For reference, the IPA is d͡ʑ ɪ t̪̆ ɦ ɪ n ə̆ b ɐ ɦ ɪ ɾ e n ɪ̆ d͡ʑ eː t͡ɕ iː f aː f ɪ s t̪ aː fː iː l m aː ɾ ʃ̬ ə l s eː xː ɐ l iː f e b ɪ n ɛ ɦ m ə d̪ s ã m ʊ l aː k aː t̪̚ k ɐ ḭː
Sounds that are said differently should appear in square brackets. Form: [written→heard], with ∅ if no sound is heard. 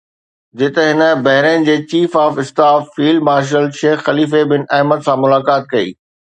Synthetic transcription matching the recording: d͡ʑ ɪ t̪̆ ɦ ɪ n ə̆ b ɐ ɦ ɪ ɾ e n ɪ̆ d͡ʑ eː t͡ɕ iː f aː f ɪ s t̪ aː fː iː l m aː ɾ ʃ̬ ə l [s→ʃ] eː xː ɐ l iː f e b ɪ n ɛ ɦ m ə d̪ s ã m ʊ l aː k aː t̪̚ k ɐ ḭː